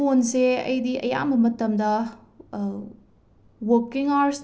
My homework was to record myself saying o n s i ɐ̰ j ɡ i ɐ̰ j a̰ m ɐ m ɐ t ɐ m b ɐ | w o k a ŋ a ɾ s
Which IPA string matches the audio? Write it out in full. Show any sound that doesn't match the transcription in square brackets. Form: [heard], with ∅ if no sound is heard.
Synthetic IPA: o n s [e] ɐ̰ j [d] i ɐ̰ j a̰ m ɐ m ɐ t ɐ m [d] ɐ | w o k [i] ŋ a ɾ s